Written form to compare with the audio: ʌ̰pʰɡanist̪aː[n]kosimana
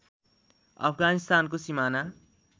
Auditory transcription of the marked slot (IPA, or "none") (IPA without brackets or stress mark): n